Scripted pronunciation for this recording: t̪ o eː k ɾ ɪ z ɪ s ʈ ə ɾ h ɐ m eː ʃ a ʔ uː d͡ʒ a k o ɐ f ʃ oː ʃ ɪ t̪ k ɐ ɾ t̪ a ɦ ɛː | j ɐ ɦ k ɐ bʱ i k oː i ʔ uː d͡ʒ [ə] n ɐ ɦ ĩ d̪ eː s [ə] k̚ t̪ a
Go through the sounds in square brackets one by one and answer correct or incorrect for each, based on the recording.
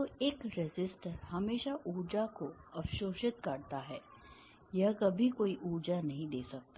incorrect: a, incorrect: ɐ

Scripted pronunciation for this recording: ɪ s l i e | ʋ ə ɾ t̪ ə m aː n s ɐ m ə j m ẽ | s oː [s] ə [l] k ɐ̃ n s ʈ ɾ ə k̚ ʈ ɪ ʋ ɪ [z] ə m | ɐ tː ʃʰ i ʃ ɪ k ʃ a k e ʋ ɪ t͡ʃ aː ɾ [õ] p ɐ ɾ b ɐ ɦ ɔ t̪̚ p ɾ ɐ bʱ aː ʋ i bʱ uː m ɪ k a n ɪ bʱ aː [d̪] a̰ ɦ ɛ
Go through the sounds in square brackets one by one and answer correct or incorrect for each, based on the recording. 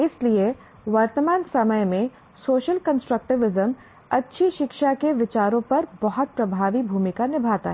incorrect: ʃ, correct, correct, correct, incorrect: t̪

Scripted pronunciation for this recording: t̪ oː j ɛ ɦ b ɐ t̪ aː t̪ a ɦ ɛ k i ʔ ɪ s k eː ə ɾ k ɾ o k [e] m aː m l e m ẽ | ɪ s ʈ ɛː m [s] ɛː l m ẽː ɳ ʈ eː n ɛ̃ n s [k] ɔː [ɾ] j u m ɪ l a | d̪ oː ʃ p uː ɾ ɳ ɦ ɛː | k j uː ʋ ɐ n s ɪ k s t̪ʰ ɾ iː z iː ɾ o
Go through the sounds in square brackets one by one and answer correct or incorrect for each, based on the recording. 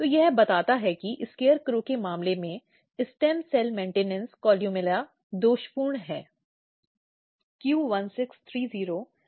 correct, correct, correct, incorrect: l

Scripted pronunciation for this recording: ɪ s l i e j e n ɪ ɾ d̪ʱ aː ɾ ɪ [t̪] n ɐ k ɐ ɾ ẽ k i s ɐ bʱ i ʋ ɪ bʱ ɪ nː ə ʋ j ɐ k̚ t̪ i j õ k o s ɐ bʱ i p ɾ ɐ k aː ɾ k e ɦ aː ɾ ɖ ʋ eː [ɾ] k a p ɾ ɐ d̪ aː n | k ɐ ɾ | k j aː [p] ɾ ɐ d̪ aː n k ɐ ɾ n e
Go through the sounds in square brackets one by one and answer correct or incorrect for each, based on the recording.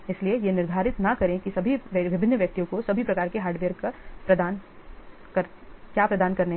correct, correct, correct

